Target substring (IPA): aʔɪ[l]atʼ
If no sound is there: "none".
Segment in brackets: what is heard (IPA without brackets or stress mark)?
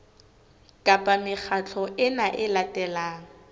l